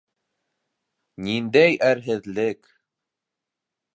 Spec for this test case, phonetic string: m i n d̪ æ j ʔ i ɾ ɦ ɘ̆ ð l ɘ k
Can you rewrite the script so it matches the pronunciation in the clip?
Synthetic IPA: n i n d̪ æ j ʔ æ ɾ ɦ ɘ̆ ð l ɘ k

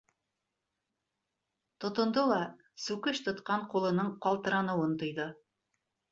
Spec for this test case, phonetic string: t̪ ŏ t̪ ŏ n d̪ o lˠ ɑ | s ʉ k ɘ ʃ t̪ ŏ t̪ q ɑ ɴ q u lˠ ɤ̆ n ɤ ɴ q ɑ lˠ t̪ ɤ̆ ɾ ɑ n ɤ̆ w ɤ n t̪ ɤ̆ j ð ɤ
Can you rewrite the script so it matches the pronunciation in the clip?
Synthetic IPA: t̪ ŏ t̪ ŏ n d̪ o lˠ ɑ | s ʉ k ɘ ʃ t̪ ŏ t̪ q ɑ ɴ q u lˠ ɤ̆ n ɤ ɴ q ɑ lˠ t̪ ɤ̆ ɾ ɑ n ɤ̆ w ɤ n t̪ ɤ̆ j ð ɤ

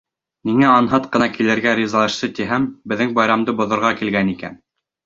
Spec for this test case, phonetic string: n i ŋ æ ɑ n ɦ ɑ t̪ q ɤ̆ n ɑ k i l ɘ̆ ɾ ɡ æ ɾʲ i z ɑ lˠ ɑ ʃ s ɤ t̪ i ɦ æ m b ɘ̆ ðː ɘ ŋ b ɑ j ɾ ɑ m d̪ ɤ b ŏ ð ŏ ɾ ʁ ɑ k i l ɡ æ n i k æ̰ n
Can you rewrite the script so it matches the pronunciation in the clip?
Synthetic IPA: n i ŋ æ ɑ n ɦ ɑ t̪ q ɤ̆ n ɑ k i l ɘ̆ ɾ ɡ æ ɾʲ i z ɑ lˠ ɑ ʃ s ɤ t̪ i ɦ æ m b ɘ̆ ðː ɘ ŋ b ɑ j ɾ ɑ m d̪ ɤ b ŏ ð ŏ ɾ ʁ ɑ k i l ɡ æ n i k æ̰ n

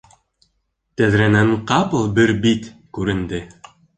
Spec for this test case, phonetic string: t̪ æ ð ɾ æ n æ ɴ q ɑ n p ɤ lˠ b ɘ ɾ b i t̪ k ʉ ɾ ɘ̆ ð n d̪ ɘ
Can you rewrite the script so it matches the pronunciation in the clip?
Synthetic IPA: t̪ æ ð ɾ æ n æ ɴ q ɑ p ɤ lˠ b ɘ ɾ b i t̪ k ʉ ɾ ɘ̆ n d̪ ɘ

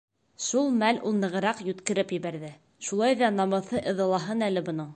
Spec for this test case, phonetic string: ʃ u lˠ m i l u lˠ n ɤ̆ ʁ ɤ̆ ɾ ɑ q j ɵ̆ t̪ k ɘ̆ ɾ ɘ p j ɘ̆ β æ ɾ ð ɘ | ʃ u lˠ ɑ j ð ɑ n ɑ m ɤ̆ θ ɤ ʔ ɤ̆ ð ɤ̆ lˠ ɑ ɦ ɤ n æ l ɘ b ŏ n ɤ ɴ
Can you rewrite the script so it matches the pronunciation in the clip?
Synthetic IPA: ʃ u lˠ m æ l u lˠ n ɤ̆ ʁ ɤ̆ ɾ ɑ q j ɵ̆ t̪ k ɘ̆ ɾ ɘ p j ɘ̆ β æ ɾ ð ɘ | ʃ u lˠ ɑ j ð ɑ n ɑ m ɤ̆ θ ɤ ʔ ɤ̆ ð ɤ̆ lˠ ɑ ɦ ɤ n æ l ɘ b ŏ n ɤ ɴ

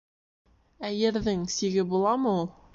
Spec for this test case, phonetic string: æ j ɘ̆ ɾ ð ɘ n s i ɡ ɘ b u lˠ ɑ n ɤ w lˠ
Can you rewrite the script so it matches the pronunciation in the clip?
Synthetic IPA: æ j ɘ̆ ɾ ð ɘ ŋ s i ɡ ɘ b u lˠ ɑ m ɤ u lˠ

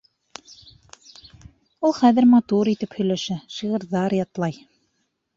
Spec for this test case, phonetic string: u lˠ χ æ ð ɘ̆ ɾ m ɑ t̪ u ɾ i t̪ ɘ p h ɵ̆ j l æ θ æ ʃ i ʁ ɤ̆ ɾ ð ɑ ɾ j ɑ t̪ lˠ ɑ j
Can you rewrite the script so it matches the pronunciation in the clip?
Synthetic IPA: u lˠ χ æ ð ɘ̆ ɾ m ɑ t̪ u ɾ i t̪ ɘ p h ɵ̆ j l æ ʃ æ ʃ i ʁ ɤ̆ ɾ ð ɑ ɾ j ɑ t̪ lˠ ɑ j

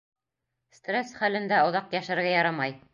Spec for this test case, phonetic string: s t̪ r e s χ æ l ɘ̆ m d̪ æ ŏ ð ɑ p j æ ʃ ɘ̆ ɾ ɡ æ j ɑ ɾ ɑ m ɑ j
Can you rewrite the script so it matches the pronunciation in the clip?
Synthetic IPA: s t̪ r e s χ æ l ɘ̆ n d̪ æ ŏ ð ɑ q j æ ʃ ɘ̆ ɾ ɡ æ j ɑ ɾ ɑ m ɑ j

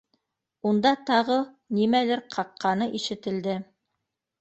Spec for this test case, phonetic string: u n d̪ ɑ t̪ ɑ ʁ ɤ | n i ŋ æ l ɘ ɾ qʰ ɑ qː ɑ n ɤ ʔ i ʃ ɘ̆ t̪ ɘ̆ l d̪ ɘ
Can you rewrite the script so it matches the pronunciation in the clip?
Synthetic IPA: u n d̪ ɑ t̪ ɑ ʁ ɤ | n i m æ l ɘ ɾ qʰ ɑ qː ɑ n ɤ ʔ i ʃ ɘ̆ t̪ ɘ̆ l d̪ ɘ

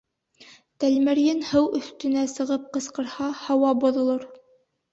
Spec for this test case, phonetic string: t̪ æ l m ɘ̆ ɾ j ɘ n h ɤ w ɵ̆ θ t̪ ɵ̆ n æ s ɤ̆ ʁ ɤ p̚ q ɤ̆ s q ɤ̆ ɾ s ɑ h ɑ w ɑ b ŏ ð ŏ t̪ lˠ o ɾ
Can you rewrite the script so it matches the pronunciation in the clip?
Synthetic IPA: t̪ æ l m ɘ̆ ɾ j ɘ n h ɤ w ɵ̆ θ t̪ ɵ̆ n æ s ɤ̆ ʁ ɤ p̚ q ɤ̆ s q ɤ̆ ɾ h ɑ h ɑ w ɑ b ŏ ð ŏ lˠ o ɾ

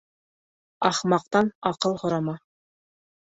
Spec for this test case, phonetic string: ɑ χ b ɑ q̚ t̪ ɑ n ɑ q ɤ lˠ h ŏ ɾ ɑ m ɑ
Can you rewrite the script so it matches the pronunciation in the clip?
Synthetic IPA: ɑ χ m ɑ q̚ t̪ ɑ n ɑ q ɤ lˠ h ŏ ɾ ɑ m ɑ

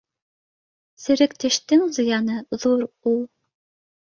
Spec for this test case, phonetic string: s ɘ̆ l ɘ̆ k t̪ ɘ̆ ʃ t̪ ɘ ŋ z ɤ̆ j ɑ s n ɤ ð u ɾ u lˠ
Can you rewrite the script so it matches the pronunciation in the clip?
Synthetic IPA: s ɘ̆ ɾ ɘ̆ k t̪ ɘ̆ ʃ t̪ ɘ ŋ z ɤ̆ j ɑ n ɤ ð u ɾ u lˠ

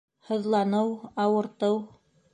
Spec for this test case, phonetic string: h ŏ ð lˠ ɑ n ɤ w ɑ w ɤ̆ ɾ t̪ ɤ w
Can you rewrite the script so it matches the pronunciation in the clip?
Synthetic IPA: h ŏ ð lˠ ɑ n ɤ w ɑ w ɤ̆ ɾ t̪ ɤ w

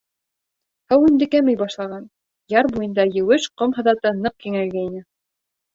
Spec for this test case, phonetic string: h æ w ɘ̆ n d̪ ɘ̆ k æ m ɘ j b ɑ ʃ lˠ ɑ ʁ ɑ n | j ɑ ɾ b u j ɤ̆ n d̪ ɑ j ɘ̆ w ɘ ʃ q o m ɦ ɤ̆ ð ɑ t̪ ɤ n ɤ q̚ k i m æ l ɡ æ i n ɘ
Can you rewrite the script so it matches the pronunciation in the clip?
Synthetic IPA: h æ w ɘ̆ n d̪ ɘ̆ k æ m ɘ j b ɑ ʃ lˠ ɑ ʁ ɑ n | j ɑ ɾ b u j ɤ̆ n d̪ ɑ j ɘ̆ w ɘ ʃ q o m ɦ ɤ̆ ð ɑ t̪ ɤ n ɤ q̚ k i ŋ æ l ɡ æ i n ɘ

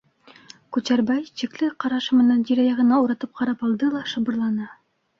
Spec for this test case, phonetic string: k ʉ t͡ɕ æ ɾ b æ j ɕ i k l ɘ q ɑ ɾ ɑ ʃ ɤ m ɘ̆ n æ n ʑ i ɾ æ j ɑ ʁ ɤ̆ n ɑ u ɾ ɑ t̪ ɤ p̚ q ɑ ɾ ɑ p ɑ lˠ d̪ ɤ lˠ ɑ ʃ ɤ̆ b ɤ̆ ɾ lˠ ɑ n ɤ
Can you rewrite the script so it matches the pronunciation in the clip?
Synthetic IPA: k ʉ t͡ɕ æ ɾ b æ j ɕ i k l ɘ q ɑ ɾ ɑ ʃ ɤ m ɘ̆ n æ n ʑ i ɾ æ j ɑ ʁ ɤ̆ n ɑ u ɾ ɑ t̪ ɤ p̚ q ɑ ɾ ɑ p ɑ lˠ d̪ ɤ lˠ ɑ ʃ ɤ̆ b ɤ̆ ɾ lˠ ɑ n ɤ

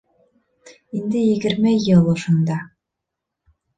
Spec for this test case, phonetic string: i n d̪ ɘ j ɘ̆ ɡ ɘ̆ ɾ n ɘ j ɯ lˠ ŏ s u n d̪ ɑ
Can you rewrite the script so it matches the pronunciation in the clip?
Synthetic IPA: i n d̪ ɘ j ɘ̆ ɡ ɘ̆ ɾ m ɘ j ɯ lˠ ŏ ʃ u n d̪ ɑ

